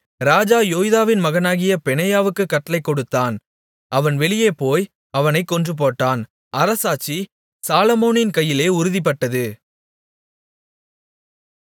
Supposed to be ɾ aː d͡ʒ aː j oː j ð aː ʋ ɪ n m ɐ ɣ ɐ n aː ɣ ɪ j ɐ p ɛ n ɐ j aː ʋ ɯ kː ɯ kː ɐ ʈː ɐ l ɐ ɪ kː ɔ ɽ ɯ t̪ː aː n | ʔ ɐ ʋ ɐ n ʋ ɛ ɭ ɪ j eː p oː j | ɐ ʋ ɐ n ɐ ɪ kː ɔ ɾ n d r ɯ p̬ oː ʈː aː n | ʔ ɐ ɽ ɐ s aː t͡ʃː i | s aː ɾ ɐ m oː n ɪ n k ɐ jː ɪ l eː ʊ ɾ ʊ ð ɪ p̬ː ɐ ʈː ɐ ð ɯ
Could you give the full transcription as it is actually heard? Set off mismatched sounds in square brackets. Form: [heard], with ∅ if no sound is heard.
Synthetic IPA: ɾ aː d͡ʒ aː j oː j ð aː ʋ ɪ n m ɐ ɣ ɐ n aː ɣ ɪ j ɐ p ɛ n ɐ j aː ʋ ɯ kː ɯ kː ɐ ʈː ɐ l ɐ ɪ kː ɔ ɽ ɯ t̪ː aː n | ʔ ɐ ʋ ɐ n ʋ ɛ ɭ ɪ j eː p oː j | ɐ ʋ ɐ n ɐ ɪ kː ɔ [∅] n d r ɯ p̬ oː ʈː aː n | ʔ ɐ [ɾ] ɐ s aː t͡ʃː i | s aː [l] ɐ m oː n ɪ n k ɐ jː ɪ l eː ʊ ɾ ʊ ð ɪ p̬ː ɐ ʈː ɐ ð ɯ

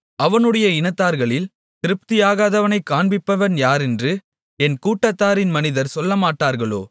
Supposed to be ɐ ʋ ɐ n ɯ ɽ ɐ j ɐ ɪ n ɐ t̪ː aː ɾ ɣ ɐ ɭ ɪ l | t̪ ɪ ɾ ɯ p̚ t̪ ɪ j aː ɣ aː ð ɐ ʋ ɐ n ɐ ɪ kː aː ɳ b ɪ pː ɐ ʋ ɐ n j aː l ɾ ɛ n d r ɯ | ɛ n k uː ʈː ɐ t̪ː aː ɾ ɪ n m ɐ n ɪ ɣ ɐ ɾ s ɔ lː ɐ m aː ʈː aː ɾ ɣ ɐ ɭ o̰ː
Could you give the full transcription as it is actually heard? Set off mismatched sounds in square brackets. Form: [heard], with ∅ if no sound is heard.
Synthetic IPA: ɐ ʋ ɐ n ɯ ɽ ɐ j ɐ ɪ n ɐ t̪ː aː ɾ ɣ ɐ ɭ ɪ l | t̪ ɪ ɾ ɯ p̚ t̪ ɪ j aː ɣ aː ð ɐ ʋ ɐ n ɐ ɪ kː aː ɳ b ɪ pː ɐ ʋ ɐ n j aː [∅] ɾ ɛ n d r ɯ | ɛ n k uː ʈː ɐ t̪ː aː ɾ ɪ n m ɐ n ɪ [ð] ɐ ɾ s ɔ lː ɐ m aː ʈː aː ɾ ɣ ɐ ɭ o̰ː

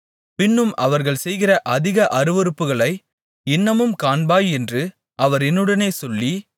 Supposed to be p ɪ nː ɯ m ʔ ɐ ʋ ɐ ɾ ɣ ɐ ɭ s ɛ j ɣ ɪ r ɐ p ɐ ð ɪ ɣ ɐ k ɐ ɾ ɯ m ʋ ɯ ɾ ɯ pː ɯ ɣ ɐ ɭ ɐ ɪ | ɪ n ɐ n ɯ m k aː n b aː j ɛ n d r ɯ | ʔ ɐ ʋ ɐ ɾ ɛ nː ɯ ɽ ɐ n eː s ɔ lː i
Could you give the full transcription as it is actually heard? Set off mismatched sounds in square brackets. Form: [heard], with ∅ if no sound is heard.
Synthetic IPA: p ɪ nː ɯ m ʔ ɐ ʋ ɐ ɾ ɣ ɐ ɭ s ɛ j ɣ ɪ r ɐ [ʔ] ɐ ð ɪ ɣ ɐ [ʔ] ɐ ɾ ɯ [∅] ʋ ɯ ɾ ɯ pː ɯ ɣ ɐ ɭ ɐ ɪ | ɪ [nː] ɐ [m] ɯ m k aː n b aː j ɛ n d r ɯ | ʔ ɐ ʋ ɐ ɾ ɛ nː ɯ ɽ ɐ n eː s ɔ lː i

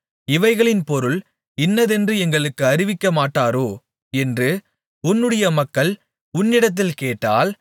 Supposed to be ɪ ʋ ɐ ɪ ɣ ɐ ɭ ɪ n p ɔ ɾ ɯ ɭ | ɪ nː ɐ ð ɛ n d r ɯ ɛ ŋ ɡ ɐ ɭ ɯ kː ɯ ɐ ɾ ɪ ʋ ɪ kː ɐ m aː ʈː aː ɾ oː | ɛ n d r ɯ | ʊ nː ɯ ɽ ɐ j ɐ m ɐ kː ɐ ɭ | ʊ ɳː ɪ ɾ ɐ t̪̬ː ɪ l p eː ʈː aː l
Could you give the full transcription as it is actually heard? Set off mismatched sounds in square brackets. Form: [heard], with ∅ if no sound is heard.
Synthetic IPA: ɪ ʋ ɐ ɪ ɣ ɐ ɭ ɪ n p ɔ ɾ ɯ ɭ | ɪ nː ɐ ð ɛ n d r ɯ ɛ ŋ ɡ ɐ ɭ ɯ kː ɯ ɐ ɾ ɪ ʋ ɪ kː ɐ m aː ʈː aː ɾ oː | ɛ n d r ɯ | ʊ nː ɯ ɽ ɐ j ɐ m ɐ kː ɐ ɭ | ʊ [nː] ɪ [ɽ] ɐ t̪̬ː ɪ l [k] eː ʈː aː l

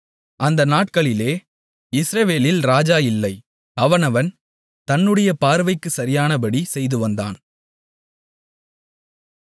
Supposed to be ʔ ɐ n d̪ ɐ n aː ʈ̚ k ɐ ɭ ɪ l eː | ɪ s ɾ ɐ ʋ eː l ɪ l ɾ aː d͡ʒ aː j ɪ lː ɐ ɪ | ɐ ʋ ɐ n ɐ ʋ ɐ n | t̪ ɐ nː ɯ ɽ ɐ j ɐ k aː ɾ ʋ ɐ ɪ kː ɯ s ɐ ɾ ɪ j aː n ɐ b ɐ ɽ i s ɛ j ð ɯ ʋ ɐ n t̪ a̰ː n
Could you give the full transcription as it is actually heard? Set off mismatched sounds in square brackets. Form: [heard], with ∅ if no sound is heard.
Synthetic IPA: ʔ ɐ n d̪ ɐ n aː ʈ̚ k ɐ ɭ ɪ l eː | ɪ s ɾ ɐ ʋ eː l ɪ l ɾ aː d͡ʒ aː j ɪ lː ɐ ɪ | ɐ ʋ ɐ n ɐ ʋ ɐ n | t̪ ɐ nː ɯ ɽ ɐ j ɐ [p] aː ɾ ʋ ɐ ɪ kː ɯ s ɐ ɾ ɪ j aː n ɐ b ɐ ɽ i s ɛ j ð ɯ ʋ ɐ n [d̪] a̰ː n

